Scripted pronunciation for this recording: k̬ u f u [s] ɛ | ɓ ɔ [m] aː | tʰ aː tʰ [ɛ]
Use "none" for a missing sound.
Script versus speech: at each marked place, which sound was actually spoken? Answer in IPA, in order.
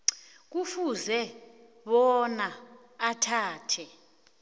z, n, ɛ

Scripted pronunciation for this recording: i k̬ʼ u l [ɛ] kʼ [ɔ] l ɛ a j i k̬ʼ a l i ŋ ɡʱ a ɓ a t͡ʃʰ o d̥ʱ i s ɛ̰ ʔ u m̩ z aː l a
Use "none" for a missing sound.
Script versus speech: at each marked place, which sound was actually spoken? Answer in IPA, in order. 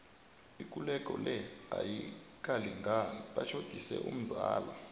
ɛ, ɔ

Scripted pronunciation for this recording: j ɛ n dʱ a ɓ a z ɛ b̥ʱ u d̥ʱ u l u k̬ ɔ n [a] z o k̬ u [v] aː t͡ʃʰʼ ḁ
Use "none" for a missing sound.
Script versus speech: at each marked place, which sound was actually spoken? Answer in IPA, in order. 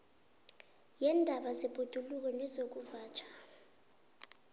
ɛ, v

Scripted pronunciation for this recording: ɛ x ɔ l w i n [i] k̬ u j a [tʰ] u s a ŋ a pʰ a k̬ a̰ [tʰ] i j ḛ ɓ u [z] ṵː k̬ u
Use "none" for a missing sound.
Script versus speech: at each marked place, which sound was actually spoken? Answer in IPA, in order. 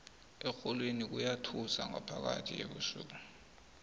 i, tʰ, tʰ, s

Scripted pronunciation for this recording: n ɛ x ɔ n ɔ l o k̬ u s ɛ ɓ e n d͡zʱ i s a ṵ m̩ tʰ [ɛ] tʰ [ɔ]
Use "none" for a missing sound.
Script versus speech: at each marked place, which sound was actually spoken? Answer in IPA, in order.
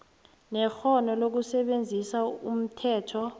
ɛː, ɔ

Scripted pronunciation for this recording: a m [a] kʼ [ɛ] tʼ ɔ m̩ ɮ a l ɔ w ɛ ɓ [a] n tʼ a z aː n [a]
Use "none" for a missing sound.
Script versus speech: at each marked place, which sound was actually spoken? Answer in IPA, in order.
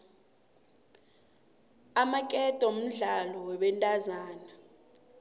a, ɛ, ɛ, a

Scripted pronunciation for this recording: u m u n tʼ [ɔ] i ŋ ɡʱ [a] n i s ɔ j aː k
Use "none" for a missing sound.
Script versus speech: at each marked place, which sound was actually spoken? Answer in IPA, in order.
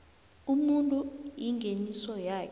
u, e

